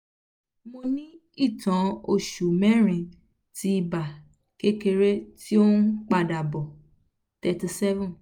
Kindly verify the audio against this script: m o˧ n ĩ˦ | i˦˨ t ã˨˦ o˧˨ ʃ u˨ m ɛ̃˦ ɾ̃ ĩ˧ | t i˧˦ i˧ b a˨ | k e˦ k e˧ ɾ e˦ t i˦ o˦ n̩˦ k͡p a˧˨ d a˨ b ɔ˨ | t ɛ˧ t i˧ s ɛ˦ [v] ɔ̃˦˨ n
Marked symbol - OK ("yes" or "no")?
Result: yes